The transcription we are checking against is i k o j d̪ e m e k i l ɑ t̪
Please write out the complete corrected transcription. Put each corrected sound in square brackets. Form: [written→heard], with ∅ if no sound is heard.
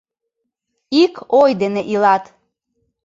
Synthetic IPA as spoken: i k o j d̪ e [m→n] e [k→ʔ] i l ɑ t̪

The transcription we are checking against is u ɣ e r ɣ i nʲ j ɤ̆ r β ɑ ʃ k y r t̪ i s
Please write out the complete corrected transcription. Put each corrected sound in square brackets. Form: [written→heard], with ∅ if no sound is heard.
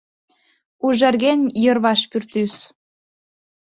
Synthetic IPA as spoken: u [ɣ→ʒ] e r ɣ [i→e] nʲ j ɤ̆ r β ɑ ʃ [k→p] y r t̪ [i→y] s

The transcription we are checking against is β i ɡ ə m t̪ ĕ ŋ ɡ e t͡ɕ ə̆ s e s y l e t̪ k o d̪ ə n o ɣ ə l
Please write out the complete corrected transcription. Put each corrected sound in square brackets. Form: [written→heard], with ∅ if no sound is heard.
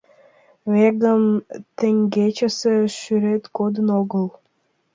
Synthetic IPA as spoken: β [i→e] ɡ ə m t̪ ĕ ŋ ɡ e t͡ɕ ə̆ s e [s→ʃ] y [l→ɾ] e t̪ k o d̪ ə n o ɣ ə l

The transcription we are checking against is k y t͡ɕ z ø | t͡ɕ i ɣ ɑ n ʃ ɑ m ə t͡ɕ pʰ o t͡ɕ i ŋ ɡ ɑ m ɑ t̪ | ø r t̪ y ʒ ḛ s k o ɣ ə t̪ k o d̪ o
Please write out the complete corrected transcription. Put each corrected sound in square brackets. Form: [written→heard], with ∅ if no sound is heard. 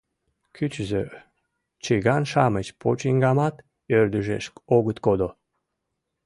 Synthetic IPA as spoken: k y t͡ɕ z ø | t͡ɕ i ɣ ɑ n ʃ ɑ m ə t͡ɕ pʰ o t͡ɕ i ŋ ɡ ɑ m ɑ t̪ | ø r [t̪→d̪] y ʒ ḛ [s→ʃ] k o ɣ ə t̪ k o d̪ o

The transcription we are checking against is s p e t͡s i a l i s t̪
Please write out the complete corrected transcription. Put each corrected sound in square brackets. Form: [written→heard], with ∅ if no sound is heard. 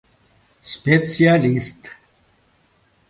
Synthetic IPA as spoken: s p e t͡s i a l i s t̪

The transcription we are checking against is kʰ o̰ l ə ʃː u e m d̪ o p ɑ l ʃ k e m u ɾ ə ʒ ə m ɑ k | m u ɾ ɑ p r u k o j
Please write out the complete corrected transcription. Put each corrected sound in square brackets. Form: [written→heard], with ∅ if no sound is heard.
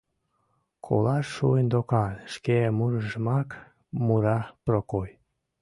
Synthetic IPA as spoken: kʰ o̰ l [ə→ɑ] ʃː u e [m→n] d̪ o [p→k] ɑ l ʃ k e m u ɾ ə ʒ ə m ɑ k | m u ɾ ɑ p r [u→o] k o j

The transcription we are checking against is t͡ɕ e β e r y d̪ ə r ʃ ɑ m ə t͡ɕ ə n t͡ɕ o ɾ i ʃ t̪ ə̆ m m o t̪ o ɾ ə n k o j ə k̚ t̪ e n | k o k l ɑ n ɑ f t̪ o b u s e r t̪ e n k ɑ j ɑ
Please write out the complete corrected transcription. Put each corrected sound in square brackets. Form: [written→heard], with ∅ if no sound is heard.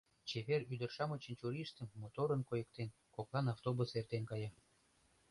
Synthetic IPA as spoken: t͡ɕ e β e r y d̪ ə r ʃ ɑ m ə t͡ɕ ə n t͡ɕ [o→u] ɾ i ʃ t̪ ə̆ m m o t̪ o ɾ ə n k o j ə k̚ t̪ e n | k o k l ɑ n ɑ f t̪ o b u s e r t̪ e n k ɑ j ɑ

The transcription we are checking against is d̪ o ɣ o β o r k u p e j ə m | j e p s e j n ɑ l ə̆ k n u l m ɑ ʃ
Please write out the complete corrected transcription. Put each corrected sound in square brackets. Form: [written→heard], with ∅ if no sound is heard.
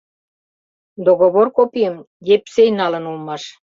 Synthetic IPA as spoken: d̪ o ɣ o β o r k [u→o] p [e→i] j ə m | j e p s e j n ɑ l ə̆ [k→∅] n u l m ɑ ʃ

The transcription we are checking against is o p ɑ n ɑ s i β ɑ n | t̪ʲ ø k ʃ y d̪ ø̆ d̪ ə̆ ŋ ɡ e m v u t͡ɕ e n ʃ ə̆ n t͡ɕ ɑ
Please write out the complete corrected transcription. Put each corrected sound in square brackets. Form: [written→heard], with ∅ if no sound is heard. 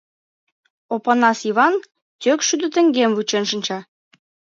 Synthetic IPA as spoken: o p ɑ n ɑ s i β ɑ n | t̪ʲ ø k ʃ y d̪ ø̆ [d̪→t̪] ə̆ ŋ ɡ e m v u t͡ɕ e n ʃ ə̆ n t͡ɕ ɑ

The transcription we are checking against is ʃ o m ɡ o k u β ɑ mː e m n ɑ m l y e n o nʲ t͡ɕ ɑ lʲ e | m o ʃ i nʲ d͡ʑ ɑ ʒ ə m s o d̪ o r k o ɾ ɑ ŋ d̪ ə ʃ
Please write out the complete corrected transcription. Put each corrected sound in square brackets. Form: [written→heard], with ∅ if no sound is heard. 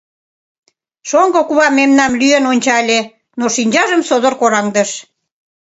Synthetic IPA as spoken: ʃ o [m→ŋ] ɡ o k u β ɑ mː e m n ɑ m l y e n o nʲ t͡ɕ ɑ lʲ e | [m→n] o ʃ i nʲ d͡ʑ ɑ ʒ ə m s o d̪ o r k o ɾ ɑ ŋ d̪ ə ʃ

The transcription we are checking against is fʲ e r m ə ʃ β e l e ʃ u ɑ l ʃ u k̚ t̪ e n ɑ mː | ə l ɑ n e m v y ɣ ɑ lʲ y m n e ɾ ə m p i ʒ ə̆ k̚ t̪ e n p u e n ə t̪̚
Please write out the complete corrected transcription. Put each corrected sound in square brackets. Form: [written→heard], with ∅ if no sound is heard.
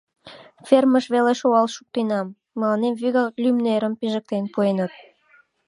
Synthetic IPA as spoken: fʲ e r m ə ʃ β e l e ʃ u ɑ l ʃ u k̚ t̪ e n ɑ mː | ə l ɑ n e m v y ɣ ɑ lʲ y m n e ɾ ə m p i ʒ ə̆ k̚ t̪ e n p u e n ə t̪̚

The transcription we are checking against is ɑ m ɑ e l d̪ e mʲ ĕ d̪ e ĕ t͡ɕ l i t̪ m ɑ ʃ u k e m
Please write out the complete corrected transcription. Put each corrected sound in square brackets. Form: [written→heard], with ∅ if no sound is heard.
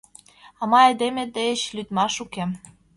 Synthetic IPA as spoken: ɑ m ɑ e [l→∅] d̪ e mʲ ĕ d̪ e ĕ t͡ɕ l [i→y] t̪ m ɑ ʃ u k e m

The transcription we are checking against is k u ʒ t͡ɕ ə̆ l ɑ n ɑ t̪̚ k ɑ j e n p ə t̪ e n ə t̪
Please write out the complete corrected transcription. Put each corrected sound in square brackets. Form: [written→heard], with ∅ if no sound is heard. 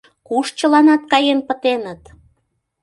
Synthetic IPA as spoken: k u [ʒ→ʃ] t͡ɕ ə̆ l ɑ n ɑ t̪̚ k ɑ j e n p ə t̪ e n ə t̪

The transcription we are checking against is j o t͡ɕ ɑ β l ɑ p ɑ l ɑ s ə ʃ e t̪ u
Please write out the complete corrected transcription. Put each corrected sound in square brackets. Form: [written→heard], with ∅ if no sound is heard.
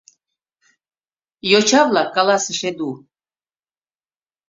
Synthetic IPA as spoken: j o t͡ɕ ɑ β l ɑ [p→k] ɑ l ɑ s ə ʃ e [t̪→d̪] u

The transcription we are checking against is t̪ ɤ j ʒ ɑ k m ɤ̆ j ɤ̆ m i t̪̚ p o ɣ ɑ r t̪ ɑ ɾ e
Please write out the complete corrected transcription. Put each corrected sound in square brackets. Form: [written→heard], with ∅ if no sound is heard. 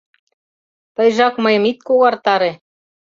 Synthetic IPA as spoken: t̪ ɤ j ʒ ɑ k m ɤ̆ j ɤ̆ m i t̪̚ [p→k] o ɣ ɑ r t̪ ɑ ɾ e

